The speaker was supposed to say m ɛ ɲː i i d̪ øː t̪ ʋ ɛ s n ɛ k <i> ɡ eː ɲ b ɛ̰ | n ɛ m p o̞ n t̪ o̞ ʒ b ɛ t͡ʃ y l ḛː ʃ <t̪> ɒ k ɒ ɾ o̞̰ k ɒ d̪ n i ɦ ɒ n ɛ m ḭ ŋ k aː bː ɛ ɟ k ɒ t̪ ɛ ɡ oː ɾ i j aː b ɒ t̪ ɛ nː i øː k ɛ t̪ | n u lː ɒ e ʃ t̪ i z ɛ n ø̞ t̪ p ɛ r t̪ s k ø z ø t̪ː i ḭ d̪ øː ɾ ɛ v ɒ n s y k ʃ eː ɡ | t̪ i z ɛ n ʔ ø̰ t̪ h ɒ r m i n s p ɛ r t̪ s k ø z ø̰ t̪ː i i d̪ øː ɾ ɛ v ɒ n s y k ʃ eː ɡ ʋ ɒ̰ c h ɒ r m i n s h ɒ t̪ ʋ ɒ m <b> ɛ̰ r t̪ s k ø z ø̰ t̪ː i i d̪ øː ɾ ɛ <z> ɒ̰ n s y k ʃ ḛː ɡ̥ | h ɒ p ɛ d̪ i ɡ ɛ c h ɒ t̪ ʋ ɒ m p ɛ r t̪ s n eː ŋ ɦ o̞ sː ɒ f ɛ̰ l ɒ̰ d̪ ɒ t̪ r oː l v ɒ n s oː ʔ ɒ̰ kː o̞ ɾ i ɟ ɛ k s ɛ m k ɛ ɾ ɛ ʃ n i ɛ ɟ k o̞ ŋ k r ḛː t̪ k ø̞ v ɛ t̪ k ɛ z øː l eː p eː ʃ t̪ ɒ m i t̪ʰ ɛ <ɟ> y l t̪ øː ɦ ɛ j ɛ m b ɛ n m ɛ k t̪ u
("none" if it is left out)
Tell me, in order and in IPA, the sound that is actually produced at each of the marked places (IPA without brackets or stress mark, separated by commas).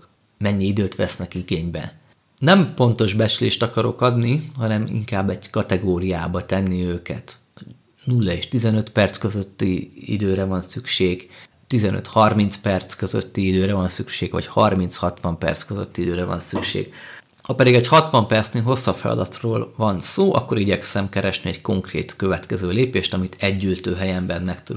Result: i, t̪, p, v, ɟː